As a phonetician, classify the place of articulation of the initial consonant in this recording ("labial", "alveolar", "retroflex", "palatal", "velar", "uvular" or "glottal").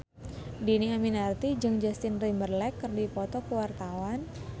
alveolar